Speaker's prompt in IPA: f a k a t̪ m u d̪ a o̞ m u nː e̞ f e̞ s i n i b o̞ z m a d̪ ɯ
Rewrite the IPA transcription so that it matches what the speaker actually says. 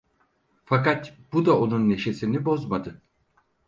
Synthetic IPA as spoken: f a k a t̪ b u d̪ a o̞ n u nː e̞ ʃ e̞ s i n i b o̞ z m a d̪ ɯ